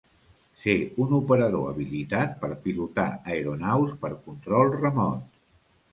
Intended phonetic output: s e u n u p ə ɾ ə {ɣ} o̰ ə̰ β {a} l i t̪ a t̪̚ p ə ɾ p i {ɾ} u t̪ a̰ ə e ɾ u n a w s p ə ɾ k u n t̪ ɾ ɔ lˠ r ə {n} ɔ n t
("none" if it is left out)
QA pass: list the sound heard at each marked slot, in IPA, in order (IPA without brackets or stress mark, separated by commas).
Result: ð, i, l, m